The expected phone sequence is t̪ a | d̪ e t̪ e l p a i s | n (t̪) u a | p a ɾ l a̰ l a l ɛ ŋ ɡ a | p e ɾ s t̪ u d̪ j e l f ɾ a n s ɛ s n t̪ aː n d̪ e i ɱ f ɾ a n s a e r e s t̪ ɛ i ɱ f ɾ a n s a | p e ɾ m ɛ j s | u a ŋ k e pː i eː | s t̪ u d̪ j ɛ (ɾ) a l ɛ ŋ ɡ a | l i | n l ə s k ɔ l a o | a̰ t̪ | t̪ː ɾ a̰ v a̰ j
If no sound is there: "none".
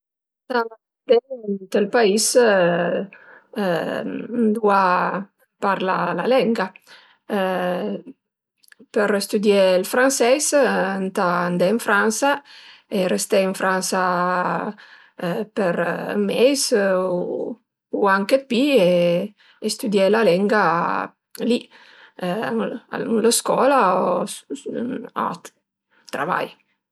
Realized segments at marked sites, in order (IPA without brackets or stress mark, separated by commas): d̪, l